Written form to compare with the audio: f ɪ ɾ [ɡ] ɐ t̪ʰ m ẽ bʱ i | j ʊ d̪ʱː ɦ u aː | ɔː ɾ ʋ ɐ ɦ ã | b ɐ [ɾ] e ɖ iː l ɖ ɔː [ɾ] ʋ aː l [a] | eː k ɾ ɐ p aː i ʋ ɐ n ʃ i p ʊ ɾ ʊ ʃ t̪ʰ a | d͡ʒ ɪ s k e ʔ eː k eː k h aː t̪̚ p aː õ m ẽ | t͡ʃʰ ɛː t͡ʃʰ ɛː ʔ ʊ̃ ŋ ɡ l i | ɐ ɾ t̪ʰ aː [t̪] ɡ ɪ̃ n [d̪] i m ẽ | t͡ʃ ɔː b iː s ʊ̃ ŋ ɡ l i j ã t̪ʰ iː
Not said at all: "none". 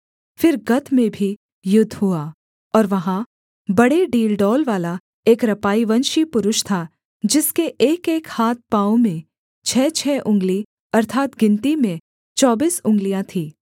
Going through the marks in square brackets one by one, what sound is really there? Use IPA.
ɡ, ɽ, l, a, t̪, t̪

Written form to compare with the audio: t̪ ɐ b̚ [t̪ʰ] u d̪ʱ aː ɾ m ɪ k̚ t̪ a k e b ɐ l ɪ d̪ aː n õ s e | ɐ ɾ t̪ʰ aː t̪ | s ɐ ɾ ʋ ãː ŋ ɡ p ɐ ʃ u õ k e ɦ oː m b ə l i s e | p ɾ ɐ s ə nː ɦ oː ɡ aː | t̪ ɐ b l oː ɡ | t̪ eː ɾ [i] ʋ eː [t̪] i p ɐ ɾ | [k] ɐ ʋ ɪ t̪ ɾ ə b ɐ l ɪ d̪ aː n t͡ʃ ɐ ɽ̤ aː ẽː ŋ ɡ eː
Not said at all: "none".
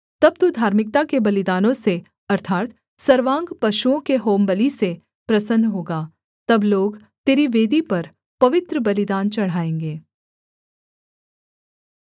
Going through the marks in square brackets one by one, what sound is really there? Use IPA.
t̪, i, d̪, p

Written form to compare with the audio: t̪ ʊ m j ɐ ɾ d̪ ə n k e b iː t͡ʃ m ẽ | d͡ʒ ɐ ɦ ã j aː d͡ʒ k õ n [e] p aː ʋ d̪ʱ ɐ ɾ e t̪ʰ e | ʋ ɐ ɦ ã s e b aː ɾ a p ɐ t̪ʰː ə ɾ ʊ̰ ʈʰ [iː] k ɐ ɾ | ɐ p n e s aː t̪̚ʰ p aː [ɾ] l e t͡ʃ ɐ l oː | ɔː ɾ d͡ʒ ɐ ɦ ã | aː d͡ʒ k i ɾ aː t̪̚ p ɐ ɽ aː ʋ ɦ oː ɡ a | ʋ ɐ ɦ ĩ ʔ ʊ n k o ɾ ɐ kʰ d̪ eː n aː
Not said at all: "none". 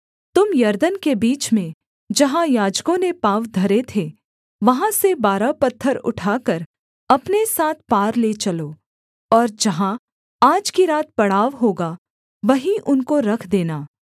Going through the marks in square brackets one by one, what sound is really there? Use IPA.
e, aː, ɾ

